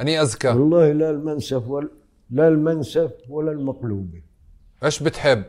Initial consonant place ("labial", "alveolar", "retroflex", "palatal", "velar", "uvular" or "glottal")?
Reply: glottal